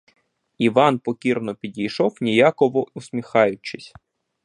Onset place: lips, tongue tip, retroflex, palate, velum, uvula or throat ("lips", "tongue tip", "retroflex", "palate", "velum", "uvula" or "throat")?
lips